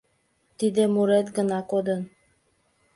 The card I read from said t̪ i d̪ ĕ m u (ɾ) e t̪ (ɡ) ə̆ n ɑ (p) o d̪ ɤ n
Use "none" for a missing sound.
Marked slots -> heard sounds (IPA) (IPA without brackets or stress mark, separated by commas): ɾ, ɡ, k